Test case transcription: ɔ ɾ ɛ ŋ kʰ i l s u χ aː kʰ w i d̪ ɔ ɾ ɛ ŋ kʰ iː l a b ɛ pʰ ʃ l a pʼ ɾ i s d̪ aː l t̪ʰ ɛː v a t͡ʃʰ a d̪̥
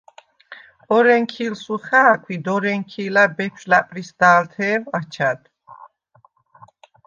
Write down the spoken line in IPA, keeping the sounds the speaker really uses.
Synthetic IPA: ɔ ɾ ɛ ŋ kʰ i l s u χ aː kʰ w i d̪ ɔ ɾ ɛ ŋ kʰ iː l a b ɛ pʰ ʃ l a pʼ ɾ i s d̪ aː l t̪ʰ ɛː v a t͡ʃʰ a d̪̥